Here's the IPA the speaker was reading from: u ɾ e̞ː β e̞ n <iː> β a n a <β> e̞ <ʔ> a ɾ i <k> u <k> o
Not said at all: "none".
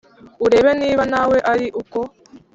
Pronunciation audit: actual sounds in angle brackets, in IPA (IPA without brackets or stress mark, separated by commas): iː, w, ʔ, ʔ, k